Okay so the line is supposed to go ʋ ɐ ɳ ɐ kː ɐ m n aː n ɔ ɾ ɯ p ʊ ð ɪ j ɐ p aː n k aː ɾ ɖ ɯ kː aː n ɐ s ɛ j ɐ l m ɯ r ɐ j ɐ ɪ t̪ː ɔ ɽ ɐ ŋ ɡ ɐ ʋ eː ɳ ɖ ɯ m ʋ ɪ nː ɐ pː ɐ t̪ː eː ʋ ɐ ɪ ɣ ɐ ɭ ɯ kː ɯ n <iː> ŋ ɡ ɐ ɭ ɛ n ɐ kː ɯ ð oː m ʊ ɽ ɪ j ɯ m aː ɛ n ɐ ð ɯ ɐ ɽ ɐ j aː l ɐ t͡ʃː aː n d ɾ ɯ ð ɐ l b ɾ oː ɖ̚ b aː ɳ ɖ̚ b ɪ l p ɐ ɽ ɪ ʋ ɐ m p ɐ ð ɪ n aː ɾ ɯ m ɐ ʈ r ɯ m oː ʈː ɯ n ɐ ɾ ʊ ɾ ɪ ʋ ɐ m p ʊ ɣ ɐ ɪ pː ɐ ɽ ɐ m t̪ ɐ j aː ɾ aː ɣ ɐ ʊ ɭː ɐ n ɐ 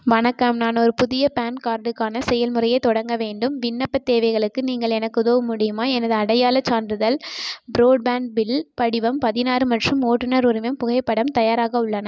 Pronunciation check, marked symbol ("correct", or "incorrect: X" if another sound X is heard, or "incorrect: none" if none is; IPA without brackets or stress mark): correct